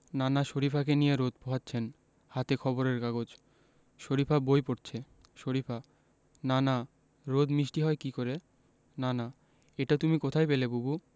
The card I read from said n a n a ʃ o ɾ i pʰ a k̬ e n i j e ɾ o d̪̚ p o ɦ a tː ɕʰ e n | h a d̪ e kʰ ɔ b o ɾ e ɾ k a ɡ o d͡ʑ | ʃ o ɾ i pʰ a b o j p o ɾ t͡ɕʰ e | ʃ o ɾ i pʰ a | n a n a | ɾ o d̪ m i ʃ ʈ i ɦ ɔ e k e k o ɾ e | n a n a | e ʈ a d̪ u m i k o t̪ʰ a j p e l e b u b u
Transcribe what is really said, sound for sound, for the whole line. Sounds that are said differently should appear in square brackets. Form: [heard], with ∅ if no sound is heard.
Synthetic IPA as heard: n a n a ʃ o ɾ i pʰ a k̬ e n i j e ɾ o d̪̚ p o ɦ a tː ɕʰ e n | h a [t̪] e kʰ ɔ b o ɾ e ɾ k a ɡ o d͡ʑ | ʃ o ɾ i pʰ a b o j p o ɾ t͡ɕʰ e | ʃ o ɾ i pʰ a | n a n a | ɾ o d̪ m i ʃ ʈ i ɦ ɔ e k [i] k o ɾ e | n a n a | e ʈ a [t̪] u m i k o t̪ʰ a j p e l e b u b u

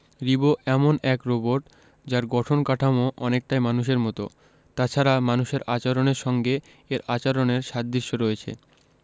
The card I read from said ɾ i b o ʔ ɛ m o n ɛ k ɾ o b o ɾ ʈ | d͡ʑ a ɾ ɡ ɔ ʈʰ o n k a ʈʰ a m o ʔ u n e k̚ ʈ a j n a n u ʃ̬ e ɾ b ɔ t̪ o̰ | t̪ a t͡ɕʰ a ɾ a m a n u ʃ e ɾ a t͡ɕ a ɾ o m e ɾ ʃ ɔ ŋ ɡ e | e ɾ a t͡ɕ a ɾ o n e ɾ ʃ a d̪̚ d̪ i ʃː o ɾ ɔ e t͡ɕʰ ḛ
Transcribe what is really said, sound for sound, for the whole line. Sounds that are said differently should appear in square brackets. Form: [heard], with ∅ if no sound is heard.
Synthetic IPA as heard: ɾ i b o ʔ ɛ m o n ɛ k ɾ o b o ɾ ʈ | d͡ʑ a ɾ ɡ ɔ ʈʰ o n k a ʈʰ a m o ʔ [ɔ] n e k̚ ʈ a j [m] a n u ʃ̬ e ɾ [m] ɔ t̪ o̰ | t̪ a t͡ɕʰ a ɾ a m a n u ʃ e ɾ a t͡ɕ a ɾ o [n] e ɾ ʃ ɔ ŋ ɡ e | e ɾ a t͡ɕ a ɾ o n e ɾ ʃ a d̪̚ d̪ i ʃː o ɾ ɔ e t͡ɕʰ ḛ

